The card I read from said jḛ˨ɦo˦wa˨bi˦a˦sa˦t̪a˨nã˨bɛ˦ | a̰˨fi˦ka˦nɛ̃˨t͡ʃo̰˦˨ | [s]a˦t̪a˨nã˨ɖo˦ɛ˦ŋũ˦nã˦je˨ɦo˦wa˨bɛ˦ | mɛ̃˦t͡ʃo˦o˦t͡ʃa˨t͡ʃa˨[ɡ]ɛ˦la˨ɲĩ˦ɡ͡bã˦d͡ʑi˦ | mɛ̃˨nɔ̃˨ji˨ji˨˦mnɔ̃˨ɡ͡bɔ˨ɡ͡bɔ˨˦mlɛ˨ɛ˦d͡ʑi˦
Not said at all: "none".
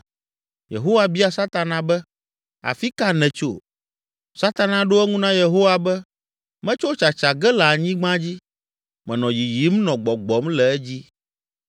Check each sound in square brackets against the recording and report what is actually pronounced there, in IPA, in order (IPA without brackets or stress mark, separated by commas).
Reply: s, ɡ